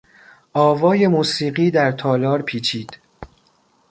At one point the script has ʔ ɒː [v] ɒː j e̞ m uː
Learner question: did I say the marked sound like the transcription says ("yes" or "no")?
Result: yes